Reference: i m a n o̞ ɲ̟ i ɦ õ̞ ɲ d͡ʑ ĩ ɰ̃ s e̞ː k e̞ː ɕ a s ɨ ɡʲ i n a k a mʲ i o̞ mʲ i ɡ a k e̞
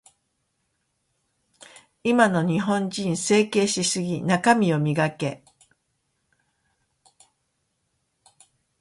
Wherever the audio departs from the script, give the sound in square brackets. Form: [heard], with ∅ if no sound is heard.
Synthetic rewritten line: i m a n o̞ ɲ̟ i ɦ õ̞ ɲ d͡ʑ ĩ ɰ̃ s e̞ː k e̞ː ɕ [i] s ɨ ɡʲ i n a k a mʲ i o̞ mʲ i ɡ a k e̞